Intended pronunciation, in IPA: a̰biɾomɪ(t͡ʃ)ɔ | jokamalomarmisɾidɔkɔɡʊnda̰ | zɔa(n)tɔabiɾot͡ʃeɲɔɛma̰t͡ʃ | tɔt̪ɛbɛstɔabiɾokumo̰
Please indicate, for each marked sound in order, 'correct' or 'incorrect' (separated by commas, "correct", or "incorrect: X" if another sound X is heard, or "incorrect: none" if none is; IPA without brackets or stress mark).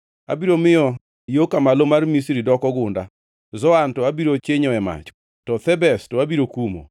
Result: incorrect: none, correct